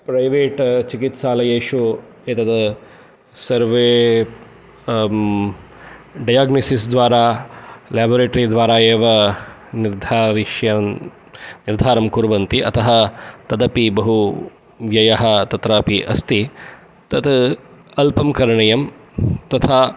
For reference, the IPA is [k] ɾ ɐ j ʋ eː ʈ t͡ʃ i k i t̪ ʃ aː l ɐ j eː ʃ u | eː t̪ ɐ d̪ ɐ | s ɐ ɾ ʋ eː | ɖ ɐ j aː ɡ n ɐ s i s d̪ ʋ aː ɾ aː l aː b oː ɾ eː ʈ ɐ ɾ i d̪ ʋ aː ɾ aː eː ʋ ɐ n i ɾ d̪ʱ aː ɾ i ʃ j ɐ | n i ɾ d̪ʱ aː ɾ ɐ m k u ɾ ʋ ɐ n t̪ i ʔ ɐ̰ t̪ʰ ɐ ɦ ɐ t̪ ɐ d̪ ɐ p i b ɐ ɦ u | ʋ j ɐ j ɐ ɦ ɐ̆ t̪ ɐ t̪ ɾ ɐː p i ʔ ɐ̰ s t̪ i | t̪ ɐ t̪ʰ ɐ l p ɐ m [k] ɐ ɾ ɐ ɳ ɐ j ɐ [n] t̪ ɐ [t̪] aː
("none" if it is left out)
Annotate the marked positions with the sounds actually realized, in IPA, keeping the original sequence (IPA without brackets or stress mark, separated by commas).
p, k, m, t̪ʰ